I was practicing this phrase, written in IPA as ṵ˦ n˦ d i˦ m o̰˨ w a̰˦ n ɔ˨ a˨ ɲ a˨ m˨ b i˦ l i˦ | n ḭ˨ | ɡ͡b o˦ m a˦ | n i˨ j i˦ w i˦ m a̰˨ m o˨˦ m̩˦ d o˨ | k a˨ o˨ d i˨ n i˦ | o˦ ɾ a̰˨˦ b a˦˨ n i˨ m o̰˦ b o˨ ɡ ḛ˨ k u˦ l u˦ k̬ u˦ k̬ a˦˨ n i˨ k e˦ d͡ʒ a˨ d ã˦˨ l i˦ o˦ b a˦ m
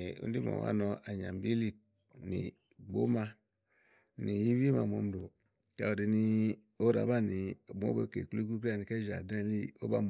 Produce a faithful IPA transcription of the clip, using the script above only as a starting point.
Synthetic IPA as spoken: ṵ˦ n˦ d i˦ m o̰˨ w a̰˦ n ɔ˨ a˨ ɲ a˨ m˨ b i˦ l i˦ | n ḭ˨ | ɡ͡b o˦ m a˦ | n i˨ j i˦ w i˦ m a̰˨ m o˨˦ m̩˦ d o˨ | k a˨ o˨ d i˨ n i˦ | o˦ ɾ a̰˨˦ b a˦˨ n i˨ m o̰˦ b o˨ k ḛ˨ k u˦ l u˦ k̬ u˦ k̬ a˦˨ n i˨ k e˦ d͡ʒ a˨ d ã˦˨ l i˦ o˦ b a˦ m